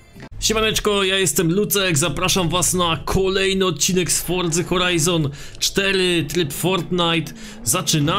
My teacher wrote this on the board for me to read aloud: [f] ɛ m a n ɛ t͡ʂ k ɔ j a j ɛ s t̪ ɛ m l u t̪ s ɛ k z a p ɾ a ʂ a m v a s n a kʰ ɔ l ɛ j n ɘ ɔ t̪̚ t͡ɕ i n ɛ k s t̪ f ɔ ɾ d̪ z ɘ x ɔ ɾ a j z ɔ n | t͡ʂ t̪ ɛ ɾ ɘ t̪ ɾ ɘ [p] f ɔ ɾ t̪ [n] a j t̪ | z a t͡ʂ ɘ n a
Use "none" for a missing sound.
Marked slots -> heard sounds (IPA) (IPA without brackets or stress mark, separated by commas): ɕ, p, n